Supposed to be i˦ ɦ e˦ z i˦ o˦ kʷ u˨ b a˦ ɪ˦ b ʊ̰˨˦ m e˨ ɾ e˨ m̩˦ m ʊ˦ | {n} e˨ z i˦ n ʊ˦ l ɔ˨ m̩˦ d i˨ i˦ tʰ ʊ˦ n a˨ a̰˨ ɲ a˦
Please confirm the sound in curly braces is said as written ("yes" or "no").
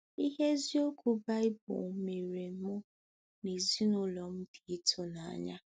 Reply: yes